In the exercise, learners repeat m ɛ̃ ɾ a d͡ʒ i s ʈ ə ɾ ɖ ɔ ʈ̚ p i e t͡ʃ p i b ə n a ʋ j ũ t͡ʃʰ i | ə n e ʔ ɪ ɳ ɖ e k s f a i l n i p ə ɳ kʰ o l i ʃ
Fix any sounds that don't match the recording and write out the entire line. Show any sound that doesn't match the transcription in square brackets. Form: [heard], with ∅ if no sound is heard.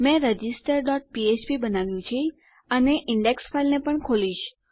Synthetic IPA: m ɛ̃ ɾ [ə] d͡ʒ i s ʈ ə ɾ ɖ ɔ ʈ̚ p i e t͡ʃ p i b ə n a ʋ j ũ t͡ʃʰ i | ə n e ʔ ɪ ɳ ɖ e k s f a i l n [e] p ə ɳ kʰ o l i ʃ

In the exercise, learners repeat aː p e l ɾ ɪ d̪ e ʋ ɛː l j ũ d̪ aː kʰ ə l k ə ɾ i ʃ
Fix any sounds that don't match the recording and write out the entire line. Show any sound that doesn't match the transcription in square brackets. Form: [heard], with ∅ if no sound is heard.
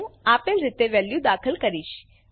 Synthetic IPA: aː p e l ɾ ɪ [t̪] e ʋ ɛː l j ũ d̪ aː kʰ ə l k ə ɾ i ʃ

